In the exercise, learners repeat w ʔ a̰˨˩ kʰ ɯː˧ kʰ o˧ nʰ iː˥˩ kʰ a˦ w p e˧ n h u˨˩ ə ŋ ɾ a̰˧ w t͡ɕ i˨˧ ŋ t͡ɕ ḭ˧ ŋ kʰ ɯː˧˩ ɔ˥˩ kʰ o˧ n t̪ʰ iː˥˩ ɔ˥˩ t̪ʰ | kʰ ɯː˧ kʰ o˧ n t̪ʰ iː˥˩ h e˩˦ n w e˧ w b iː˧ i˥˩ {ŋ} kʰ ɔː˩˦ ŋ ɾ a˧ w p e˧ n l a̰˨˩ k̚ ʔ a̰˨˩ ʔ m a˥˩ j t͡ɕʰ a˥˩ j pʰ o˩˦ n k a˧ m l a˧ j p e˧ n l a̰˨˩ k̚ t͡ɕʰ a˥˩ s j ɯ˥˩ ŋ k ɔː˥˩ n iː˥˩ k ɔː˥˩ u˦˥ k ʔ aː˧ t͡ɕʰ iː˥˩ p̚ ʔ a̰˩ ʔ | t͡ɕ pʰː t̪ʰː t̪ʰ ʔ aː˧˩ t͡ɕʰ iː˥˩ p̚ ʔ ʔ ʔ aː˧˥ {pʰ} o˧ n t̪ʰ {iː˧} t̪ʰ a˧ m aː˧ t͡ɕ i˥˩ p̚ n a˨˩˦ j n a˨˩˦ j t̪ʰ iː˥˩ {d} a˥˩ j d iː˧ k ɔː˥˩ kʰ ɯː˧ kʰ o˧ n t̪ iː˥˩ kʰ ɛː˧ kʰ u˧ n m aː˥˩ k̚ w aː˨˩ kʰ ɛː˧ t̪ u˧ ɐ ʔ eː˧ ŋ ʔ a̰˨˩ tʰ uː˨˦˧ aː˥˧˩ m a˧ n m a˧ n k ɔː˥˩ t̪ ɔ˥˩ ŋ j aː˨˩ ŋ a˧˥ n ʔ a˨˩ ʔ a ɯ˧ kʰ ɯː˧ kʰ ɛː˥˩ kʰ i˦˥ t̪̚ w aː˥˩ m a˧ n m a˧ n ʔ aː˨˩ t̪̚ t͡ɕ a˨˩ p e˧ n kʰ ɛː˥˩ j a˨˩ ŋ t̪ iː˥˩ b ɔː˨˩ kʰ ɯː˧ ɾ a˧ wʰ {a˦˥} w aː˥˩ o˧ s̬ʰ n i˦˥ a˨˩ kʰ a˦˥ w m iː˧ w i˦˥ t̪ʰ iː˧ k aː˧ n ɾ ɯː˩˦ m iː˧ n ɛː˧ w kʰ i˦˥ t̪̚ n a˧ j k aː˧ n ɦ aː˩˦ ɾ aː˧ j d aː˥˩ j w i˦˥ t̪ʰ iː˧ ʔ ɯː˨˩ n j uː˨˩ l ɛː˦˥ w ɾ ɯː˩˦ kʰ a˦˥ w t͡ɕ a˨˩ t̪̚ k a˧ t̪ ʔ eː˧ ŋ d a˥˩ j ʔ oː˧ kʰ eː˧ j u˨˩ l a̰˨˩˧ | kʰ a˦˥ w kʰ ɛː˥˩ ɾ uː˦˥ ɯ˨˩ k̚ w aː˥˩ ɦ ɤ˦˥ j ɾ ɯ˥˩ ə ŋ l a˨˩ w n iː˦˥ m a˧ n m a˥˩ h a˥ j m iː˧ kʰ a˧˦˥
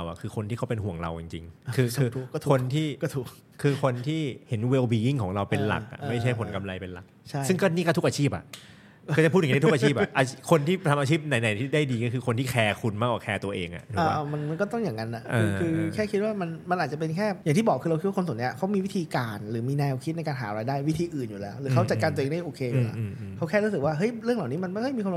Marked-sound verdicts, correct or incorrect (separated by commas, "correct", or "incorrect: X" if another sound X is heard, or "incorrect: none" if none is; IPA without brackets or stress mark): correct, incorrect: kʰ, incorrect: iː˥˩, correct, incorrect: i˦˥